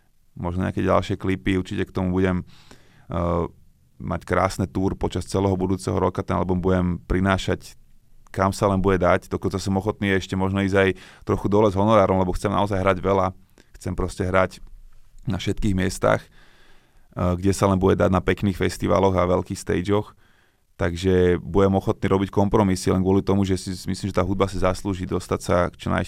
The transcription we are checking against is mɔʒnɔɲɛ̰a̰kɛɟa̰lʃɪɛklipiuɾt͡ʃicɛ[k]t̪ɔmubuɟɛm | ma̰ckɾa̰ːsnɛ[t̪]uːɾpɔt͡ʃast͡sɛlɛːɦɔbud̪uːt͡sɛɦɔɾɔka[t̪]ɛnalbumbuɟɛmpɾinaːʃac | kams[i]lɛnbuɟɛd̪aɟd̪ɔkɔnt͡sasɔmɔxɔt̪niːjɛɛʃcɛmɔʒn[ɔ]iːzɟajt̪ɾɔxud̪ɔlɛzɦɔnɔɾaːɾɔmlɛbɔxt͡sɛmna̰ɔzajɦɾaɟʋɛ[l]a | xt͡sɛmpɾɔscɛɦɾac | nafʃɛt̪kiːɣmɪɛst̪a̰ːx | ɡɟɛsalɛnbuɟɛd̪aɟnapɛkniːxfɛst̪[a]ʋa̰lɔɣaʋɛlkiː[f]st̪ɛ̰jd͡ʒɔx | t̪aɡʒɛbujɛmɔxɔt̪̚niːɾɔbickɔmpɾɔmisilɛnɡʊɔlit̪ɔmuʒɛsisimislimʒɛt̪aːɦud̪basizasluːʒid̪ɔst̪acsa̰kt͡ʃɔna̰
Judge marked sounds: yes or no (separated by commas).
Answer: yes, yes, yes, no, yes, yes, no, no